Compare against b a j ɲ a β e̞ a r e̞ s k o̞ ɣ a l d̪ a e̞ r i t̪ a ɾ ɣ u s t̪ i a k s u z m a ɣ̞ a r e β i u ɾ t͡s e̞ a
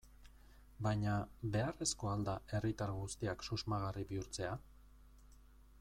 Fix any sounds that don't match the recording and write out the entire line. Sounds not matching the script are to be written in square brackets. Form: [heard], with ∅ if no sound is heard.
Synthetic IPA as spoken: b a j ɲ a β e̞ a r e̞ s k o̞ [∅] a l d̪ a e̞ r i t̪ a ɾ ɣ u s t̪ i a k s u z m a ɣ̞ a r [i] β i u ɾ t͡s e̞ a

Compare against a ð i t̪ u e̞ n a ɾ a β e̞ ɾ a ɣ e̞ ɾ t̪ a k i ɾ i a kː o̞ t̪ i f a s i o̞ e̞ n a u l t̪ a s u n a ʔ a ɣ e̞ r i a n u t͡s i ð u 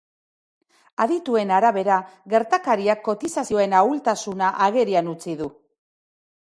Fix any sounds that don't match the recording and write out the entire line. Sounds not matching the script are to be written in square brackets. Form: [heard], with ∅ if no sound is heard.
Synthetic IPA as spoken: a ð i t̪ u e̞ n a ɾ a β e̞ ɾ a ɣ e̞ ɾ t̪ a k [a] ɾ i a kː o̞ t̪ i [s] a s i o̞ e̞ n a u l t̪ a s u n a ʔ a ɣ e̞ [ɾ] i a n u t͡s i ð u

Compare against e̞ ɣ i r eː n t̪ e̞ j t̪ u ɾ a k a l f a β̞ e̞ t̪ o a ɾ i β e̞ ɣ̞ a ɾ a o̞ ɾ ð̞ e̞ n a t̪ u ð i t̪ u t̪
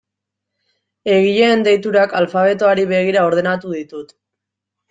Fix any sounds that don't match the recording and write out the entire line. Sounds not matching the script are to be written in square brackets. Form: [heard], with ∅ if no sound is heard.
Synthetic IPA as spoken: e̞ ɣ i [ʎ] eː n [d̪] e̞ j t̪ u ɾ a k a l f a β̞ e̞ t̪ o a ɾ i β e̞ ɣ̞ [i] ɾ a o̞ ɾ ð̞ e̞ n a t̪ u ð i t̪ u t̪

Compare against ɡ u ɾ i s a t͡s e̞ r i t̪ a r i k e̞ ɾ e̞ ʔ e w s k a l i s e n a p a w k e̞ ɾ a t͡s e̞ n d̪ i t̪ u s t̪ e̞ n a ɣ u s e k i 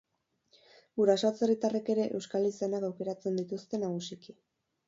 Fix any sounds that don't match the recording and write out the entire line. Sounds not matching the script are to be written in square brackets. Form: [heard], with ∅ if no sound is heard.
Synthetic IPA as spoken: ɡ u ɾ [a] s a t͡s e̞ r i t̪ a r [e] k e̞ ɾ e̞ ʔ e w s k a l i s e n a [k] a w k e̞ ɾ a t͡s e̞ n d̪ i t̪ u s t̪ e̞ n a ɣ u s [i] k i

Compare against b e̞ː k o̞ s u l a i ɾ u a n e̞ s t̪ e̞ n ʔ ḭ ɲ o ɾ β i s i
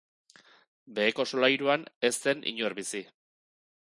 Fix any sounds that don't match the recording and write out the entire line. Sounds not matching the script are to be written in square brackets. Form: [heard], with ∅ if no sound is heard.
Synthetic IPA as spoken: b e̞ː k o̞ s [o] l a [j] ɾ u a n e̞ s t̪ e̞ n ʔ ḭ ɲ o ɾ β i s i

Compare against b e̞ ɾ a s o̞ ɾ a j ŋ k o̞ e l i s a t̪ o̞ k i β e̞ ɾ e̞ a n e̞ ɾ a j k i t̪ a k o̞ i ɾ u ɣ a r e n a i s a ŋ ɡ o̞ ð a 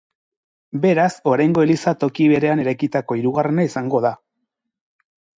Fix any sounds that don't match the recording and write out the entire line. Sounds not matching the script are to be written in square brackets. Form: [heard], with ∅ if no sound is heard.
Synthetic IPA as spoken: b e̞ ɾ a s o̞ ɾ a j ŋ [ɡ] o̞ e l i s a t̪ o̞ k i β e̞ ɾ e̞ a n e̞ ɾ a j k i t̪ a k o̞ i ɾ u ɣ a r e n a i s a ŋ ɡ o̞ ð a

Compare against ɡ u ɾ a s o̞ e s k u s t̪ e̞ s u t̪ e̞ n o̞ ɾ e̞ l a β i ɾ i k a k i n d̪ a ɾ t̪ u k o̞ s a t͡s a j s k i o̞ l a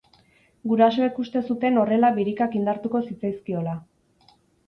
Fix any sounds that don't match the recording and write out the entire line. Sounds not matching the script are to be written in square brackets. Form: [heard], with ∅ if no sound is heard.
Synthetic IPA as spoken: ɡ u ɾ a s o̞ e [∅] k u s t̪ e̞ s u t̪ e̞ n o̞ [r] e̞ l a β i ɾ i k a k i n d̪ a ɾ t̪ u k o̞ s [i] t͡s a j s k i o̞ l a

